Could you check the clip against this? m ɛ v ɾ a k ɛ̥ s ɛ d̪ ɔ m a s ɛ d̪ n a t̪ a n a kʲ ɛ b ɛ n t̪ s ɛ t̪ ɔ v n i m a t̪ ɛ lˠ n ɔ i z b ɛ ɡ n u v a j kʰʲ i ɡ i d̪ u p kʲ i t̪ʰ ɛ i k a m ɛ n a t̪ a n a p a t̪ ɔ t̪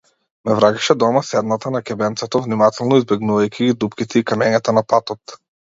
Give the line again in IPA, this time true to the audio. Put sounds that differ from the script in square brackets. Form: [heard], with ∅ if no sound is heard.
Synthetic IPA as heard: m ɛ v ɾ a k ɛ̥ [ʃ] ɛ d̪ ɔ m a s ɛ d̪ n a t̪ a n a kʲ ɛ b ɛ n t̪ s ɛ t̪ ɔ v n i m a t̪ ɛ lˠ n ɔ i z b ɛ ɡ n u v a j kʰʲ i ɡ i d̪ u p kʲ i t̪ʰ ɛ i k a m ɛ [ɲ] a t̪ a n a p a t̪ ɔ t̪